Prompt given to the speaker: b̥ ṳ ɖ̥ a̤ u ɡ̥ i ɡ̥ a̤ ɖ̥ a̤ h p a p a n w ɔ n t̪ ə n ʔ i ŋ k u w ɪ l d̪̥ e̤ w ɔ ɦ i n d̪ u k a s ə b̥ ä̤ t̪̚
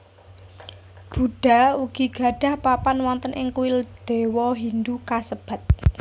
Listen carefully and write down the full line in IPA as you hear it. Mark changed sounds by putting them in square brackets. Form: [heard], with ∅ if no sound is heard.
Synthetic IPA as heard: b̥ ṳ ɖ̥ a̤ u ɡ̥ i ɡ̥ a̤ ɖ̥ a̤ h p a p a n w ɔ n t̪ ə n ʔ [ɪ] ŋ k u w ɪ l d̪̥ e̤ w ɔ ɦ i n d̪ u k a s ə b̥ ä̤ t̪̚